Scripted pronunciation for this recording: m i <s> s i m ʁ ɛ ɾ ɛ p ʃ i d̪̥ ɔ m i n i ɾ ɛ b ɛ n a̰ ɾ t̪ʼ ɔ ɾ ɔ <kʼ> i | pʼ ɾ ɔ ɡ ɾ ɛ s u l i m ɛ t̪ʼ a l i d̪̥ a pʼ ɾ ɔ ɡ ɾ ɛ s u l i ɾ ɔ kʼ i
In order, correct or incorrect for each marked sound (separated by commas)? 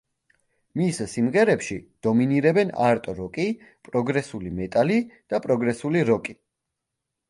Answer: correct, correct